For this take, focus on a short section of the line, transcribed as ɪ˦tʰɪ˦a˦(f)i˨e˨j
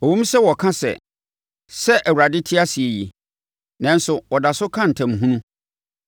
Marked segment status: incorrect: s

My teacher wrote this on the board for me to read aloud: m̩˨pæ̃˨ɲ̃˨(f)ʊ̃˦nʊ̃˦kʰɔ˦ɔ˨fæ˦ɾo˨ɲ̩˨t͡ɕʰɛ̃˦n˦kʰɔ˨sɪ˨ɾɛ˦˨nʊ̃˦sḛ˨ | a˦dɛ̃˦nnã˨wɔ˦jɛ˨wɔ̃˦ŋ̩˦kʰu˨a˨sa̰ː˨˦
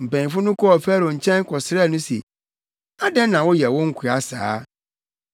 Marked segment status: correct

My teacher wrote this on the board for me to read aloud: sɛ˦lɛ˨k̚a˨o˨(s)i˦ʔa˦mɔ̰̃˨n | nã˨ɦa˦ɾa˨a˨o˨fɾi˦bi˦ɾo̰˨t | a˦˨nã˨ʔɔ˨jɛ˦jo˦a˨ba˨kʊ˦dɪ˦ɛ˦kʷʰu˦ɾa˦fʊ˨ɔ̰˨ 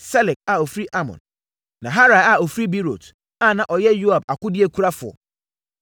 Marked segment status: incorrect: f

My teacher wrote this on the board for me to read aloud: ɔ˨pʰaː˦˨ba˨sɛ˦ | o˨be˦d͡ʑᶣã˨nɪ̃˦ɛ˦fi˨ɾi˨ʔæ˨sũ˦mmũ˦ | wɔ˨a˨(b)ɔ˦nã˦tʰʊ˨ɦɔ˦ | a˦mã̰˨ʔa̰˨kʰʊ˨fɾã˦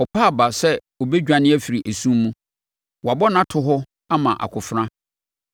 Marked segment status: correct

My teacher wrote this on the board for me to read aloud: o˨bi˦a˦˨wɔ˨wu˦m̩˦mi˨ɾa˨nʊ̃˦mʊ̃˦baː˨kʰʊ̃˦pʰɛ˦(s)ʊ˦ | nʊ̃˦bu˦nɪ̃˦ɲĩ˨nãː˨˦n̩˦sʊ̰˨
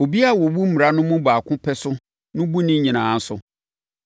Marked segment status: correct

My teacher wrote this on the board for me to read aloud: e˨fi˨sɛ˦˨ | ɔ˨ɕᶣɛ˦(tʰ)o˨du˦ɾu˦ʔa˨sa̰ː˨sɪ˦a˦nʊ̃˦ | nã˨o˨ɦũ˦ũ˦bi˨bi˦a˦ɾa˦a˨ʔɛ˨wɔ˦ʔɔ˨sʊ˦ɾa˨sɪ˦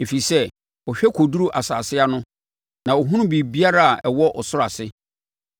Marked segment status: incorrect: kʰ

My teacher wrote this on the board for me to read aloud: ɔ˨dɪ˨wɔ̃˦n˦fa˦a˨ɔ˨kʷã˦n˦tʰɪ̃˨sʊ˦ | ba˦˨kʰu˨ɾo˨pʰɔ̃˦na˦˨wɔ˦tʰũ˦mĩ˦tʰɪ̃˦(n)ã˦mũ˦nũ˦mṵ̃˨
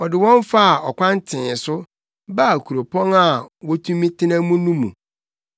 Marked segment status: correct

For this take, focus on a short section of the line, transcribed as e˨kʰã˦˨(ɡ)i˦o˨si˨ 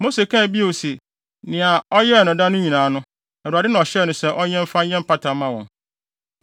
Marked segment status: incorrect: b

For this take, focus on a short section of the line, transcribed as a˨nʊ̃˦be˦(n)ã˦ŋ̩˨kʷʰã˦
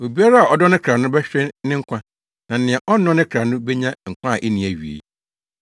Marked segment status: incorrect: ɲ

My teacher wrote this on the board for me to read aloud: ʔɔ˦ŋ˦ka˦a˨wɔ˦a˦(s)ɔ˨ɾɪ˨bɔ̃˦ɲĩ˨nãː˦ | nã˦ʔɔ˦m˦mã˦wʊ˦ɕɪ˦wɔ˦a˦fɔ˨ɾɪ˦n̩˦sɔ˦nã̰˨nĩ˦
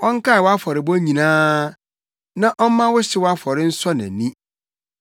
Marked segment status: incorrect: f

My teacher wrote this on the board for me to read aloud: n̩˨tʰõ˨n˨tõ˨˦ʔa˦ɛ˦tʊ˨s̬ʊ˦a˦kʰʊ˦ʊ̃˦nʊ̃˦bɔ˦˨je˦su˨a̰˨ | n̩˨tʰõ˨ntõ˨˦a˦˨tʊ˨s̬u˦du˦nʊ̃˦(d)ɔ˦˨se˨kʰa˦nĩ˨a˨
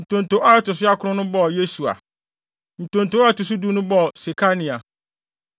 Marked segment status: incorrect: b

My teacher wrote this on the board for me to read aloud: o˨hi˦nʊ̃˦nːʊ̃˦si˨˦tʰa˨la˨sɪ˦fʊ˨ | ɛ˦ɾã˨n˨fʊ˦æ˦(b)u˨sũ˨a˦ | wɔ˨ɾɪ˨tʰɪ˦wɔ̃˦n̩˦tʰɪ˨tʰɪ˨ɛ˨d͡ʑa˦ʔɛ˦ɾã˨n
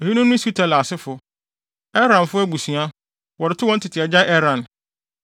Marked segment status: incorrect: ɡ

